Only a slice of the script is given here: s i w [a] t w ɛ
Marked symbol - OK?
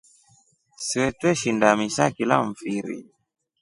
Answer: no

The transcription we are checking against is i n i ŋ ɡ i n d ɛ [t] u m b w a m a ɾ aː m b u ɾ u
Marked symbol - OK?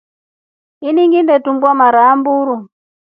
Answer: yes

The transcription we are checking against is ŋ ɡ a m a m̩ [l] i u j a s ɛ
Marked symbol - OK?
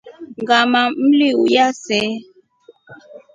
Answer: yes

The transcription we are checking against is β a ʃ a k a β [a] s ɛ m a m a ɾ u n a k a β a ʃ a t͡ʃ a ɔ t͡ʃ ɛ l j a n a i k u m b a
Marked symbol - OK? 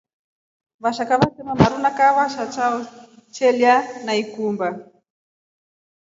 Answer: yes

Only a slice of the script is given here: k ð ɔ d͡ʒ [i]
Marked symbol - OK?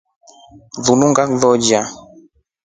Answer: no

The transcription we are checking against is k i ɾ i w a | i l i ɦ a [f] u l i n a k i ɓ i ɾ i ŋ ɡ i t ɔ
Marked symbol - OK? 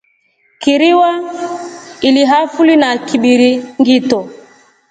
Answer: yes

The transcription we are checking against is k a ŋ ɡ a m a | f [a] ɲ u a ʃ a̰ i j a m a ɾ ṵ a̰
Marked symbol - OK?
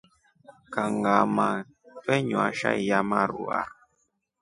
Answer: no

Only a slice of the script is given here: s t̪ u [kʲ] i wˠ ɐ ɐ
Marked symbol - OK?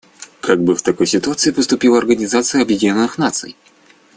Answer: no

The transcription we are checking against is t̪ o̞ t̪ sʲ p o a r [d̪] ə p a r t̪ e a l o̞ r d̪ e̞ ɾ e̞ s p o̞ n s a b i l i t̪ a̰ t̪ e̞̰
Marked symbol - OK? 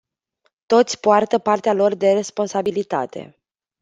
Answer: no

